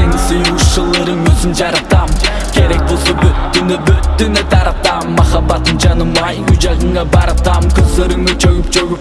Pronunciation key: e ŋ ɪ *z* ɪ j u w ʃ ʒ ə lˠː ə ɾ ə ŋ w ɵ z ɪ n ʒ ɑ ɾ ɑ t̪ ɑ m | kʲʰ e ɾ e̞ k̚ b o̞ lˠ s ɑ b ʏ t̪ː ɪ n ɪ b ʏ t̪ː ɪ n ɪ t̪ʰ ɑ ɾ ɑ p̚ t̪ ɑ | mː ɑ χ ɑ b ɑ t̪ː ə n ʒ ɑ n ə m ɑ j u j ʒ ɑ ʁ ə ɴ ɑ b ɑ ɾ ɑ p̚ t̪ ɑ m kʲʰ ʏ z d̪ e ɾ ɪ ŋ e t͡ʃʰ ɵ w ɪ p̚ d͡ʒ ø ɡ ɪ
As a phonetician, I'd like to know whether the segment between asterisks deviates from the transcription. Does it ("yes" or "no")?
yes